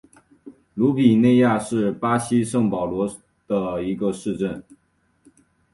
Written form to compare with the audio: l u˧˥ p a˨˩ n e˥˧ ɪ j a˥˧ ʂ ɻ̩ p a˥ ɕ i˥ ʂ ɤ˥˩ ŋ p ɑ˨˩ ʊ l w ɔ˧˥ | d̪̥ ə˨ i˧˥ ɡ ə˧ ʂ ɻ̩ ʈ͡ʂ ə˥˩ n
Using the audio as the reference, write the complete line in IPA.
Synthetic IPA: l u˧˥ p i˨˩ n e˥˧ ɪ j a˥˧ ʂ ɻ̩ p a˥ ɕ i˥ ʂ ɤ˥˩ ŋ p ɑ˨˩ ʊ l w ɔ˧˥ | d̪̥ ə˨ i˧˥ ɡ ə˧ ʂ ɻ̩ ʈ͡ʂ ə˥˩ n